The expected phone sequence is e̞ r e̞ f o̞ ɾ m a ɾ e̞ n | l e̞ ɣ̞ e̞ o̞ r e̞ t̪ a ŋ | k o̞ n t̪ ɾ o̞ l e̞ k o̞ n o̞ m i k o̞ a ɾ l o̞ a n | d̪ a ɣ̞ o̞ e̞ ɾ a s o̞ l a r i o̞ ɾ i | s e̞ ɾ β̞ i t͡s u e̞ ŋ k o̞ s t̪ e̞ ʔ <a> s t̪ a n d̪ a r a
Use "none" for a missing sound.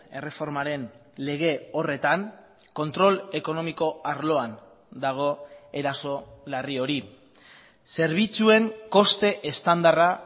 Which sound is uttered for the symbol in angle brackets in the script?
e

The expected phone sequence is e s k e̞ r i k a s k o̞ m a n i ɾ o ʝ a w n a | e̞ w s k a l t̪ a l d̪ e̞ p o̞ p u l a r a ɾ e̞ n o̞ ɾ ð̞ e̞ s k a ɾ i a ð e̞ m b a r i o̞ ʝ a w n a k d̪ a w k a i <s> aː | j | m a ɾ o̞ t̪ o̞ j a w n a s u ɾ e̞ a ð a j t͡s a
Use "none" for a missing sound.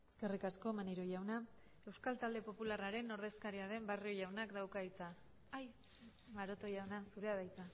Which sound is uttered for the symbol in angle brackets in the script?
t͡s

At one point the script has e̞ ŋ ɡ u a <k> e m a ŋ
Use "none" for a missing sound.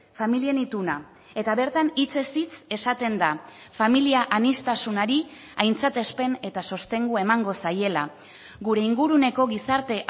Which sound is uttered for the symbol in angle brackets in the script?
none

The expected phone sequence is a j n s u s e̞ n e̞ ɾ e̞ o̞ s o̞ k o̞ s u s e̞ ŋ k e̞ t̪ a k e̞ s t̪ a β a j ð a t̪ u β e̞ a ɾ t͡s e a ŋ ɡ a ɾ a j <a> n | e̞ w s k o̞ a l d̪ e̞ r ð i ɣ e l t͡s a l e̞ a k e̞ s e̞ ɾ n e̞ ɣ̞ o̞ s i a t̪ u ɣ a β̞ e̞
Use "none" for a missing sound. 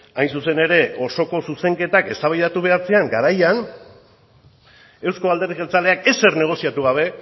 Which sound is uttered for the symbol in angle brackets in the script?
a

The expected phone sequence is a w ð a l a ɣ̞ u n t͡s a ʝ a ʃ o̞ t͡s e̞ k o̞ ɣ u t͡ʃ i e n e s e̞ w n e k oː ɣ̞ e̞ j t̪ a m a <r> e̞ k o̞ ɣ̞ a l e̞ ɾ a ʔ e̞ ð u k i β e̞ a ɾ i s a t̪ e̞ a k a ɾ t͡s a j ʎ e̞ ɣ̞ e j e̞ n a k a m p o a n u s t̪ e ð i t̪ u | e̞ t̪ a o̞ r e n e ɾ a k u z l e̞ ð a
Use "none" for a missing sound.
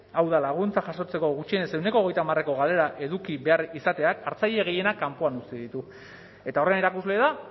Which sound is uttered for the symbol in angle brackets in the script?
r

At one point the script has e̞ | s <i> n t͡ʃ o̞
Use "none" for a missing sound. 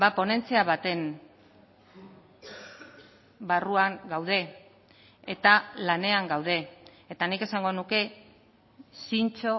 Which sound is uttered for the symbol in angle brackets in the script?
i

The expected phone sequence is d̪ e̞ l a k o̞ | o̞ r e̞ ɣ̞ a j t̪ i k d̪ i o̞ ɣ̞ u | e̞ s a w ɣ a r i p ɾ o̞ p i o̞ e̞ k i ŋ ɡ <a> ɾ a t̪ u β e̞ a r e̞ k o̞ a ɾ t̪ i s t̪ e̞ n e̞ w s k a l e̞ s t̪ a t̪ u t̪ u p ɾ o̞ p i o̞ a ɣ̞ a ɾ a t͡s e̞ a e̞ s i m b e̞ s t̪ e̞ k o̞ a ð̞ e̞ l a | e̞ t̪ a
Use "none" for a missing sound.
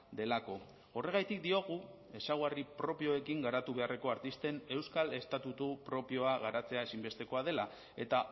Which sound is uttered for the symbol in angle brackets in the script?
a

